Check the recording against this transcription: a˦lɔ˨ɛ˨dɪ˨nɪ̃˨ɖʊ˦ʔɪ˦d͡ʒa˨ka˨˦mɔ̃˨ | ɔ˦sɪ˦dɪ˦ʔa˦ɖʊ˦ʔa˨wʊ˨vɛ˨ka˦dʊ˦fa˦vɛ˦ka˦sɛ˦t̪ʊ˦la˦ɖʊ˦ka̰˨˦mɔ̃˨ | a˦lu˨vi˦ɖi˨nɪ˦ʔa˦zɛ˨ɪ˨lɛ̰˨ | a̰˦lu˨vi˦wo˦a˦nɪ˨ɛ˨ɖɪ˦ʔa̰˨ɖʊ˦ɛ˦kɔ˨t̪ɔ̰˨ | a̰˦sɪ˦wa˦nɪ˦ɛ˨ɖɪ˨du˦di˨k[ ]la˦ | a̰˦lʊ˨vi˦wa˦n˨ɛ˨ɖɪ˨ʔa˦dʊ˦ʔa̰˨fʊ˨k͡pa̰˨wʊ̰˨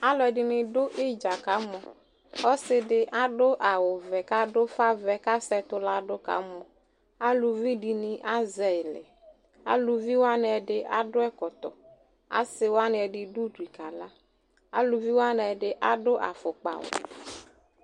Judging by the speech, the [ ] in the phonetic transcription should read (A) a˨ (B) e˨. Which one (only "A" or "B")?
A